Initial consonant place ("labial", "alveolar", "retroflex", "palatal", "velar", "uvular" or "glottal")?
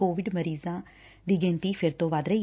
labial